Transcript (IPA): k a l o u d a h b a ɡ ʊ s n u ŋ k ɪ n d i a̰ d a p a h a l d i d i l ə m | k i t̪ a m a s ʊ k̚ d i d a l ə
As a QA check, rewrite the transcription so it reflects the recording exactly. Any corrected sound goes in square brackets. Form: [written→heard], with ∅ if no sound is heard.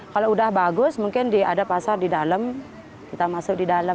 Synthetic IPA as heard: k a l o u d a h b a ɡ ʊ s [n→m] u ŋ k ɪ n d i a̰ d a p a [h→s] a [l→r] d i d [i→a] l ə m | k i t̪ a m a s ʊ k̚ d i d a l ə